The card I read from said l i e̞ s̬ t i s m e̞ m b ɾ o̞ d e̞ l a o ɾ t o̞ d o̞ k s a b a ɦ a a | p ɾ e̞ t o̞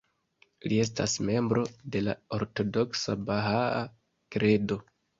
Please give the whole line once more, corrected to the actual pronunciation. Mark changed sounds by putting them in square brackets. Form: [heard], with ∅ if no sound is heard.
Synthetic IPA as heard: l i e̞ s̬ t [a] s m e̞ m b ɾ o̞ d e̞ l a o ɾ t o̞ d o̞ k s a b a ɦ a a | [k] ɾ e̞ [d] o̞